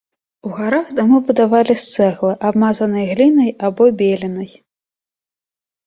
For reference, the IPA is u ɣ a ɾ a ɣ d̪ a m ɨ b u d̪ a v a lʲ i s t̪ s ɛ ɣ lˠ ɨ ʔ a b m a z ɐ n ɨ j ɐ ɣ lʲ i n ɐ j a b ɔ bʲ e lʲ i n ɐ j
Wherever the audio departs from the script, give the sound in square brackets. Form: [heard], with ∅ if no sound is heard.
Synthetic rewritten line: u ɣ a ɾ a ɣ d̪ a m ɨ b u d̪ a v a lʲ i s t̪ s ɛ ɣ lˠ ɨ ʔ a b m a z ɐ n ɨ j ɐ ɣ lʲ i n ɐ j a b ɔ bʲ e lʲ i n ɐ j